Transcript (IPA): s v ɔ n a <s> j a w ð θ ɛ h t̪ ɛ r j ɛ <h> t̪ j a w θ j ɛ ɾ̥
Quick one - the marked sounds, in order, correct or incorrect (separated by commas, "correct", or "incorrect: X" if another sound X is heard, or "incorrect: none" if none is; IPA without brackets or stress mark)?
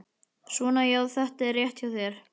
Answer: incorrect: none, correct